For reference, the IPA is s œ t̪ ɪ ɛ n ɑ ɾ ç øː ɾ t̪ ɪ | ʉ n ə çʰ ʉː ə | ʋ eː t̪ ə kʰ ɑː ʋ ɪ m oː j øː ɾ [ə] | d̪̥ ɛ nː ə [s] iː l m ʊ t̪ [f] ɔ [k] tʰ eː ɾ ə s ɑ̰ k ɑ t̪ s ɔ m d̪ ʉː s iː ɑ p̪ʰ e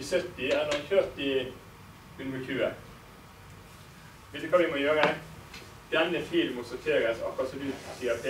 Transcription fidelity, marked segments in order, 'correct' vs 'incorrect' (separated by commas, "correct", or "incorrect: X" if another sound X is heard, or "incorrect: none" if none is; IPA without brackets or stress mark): correct, incorrect: f, incorrect: s, incorrect: none